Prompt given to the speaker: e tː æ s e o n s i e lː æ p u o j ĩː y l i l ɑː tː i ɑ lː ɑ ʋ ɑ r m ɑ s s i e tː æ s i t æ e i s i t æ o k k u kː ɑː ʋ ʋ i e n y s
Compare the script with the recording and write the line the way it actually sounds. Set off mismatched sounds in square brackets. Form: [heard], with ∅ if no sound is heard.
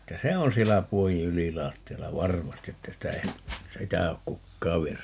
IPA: e tː æ s e o n s i e lː æ p u o j ĩː y l i l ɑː tː i ɑ lː ɑ ʋ ɑ r m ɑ s [t] i e tː æ s i t æ e i s i t æ o k k u kː ɑː ʋ ʋ i e n y s